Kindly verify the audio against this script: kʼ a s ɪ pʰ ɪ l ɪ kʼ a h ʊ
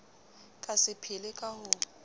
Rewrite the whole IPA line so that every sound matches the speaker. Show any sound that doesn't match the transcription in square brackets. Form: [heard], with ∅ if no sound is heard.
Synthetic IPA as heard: kʼ a s ɪ pʰ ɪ l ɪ kʼ a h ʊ